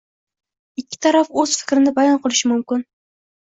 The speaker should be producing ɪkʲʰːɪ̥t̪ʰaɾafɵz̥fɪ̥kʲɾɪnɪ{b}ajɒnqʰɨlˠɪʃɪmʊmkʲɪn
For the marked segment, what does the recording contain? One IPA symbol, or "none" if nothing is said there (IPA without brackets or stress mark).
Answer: b